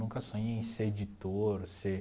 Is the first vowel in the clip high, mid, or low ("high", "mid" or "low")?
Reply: high